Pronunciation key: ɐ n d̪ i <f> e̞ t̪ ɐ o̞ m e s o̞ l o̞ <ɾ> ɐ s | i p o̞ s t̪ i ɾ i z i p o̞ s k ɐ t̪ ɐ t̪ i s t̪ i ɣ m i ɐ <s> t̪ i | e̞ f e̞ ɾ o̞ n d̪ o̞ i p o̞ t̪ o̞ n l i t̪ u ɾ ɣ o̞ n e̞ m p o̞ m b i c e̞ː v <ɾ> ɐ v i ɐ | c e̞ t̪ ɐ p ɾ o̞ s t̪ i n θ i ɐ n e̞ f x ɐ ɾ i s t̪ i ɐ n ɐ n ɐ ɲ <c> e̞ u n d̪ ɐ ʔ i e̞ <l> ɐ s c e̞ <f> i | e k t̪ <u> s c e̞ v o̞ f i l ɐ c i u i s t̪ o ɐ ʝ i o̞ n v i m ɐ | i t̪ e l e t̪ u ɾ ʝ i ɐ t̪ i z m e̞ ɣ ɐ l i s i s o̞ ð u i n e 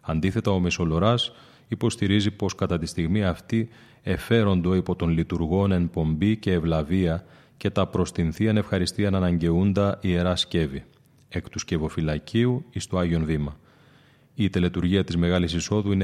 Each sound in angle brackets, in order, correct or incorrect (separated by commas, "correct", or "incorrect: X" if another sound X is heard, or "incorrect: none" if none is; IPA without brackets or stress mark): incorrect: θ, correct, incorrect: f, incorrect: l, incorrect: ɟ, incorrect: ɾ, incorrect: v, correct